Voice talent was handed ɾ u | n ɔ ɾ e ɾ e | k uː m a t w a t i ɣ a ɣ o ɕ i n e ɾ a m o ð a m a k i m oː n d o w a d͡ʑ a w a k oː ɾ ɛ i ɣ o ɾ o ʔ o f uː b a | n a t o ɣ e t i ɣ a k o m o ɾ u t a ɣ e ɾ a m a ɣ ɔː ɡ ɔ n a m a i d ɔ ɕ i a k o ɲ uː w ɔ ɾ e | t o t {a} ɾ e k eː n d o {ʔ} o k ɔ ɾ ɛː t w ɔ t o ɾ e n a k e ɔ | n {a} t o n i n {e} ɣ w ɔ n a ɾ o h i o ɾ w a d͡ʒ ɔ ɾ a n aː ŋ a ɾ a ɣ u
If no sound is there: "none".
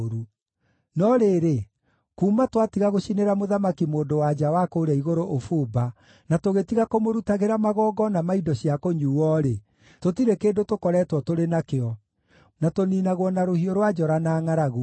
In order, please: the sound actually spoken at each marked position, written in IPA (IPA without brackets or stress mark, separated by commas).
i, t, a, a